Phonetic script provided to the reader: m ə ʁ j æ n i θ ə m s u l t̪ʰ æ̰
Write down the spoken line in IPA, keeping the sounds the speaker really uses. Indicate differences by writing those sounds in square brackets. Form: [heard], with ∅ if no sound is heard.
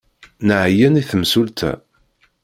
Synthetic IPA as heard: [n] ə [ʕ] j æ n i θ ə m s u l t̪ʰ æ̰